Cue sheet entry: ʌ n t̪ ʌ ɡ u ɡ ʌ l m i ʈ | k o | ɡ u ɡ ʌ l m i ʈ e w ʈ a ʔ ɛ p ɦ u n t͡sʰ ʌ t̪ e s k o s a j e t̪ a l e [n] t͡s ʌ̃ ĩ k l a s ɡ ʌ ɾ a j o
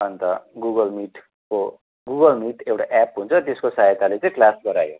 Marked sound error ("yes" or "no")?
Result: yes